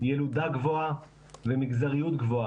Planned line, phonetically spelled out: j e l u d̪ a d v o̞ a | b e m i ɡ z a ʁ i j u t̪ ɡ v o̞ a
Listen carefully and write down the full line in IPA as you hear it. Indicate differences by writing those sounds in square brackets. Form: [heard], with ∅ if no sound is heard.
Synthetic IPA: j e l u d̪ a [ɡ] v o̞ a | [v] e m i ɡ z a ʁ i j u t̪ ɡ v o̞ a